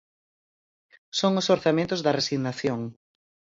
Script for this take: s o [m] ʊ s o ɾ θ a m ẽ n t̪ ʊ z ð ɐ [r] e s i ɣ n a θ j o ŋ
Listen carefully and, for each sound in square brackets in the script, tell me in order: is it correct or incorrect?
incorrect, correct

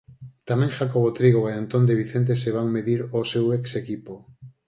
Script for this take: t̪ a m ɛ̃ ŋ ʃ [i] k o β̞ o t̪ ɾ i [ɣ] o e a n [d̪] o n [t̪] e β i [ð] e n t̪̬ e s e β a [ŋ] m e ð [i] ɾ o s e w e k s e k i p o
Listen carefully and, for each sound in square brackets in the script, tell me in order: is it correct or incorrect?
incorrect, correct, incorrect, incorrect, incorrect, correct, correct

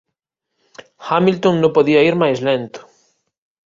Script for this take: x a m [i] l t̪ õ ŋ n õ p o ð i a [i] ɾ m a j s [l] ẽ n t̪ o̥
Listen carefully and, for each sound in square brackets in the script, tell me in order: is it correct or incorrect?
correct, correct, correct

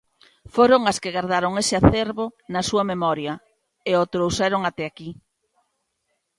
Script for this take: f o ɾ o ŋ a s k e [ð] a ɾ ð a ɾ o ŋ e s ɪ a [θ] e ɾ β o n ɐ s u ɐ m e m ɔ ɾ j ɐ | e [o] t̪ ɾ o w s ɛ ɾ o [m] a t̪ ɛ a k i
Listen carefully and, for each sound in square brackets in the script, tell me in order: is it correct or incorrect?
incorrect, correct, correct, incorrect

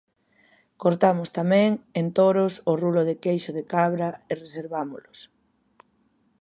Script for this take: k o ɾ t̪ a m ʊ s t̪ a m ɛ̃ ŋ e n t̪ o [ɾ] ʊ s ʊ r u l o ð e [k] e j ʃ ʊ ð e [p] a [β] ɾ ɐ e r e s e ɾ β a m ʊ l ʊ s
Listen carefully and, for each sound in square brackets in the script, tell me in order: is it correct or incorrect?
correct, correct, incorrect, correct

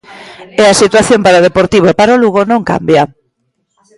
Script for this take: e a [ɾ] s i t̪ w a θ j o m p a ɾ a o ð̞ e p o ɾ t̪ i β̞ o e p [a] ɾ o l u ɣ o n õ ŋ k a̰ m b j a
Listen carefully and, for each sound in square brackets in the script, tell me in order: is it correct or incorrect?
incorrect, correct

